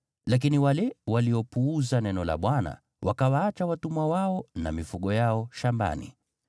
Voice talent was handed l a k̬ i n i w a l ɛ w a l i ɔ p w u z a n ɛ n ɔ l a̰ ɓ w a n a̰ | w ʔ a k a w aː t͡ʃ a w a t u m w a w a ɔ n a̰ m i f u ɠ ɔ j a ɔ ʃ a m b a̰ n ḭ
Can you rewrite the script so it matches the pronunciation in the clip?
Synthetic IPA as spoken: l a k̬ i n i w a l ɛ w a l i ɔ p u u z a n ɛ n ɔ l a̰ ɓ w a n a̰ | w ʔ a k a w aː t͡ʃ a w a t u m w a w a ɔ n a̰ m i f u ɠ ɔ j a ɔ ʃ a m b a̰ n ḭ